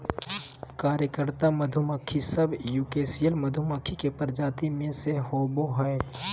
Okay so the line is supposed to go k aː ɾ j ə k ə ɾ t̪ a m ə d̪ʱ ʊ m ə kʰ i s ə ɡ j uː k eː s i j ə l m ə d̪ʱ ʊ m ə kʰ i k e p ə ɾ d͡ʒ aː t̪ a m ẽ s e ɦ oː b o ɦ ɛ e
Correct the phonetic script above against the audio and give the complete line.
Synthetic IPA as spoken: k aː ɾ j ə k ə ɾ t̪ a m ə d̪ʱ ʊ m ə kʰ i s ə b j uː k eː s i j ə l m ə d̪ʱ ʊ m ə kʰ i k e p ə ɾ d͡ʒ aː t̪ i m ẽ s e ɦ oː b o ɦ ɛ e